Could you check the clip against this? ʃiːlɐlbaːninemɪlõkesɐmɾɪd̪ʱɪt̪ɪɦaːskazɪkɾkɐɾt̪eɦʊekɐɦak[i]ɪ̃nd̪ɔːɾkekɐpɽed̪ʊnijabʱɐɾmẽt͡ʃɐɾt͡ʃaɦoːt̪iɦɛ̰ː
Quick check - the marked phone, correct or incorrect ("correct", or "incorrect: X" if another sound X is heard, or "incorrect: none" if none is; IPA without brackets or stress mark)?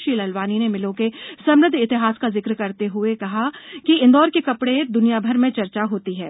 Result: correct